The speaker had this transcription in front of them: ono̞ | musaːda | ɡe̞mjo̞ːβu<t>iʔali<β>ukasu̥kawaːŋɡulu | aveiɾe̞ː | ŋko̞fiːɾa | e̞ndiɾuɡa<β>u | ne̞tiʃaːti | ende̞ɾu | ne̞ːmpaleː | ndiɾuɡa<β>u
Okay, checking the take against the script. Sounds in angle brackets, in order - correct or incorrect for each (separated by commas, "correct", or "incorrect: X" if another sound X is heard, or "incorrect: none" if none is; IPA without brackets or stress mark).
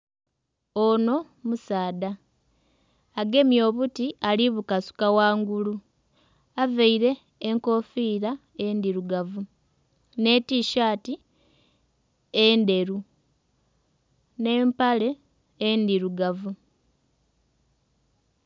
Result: correct, correct, incorrect: v, incorrect: v